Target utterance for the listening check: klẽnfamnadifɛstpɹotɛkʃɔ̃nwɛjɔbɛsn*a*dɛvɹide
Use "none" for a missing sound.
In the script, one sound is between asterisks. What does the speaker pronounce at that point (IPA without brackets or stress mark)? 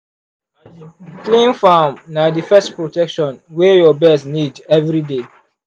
i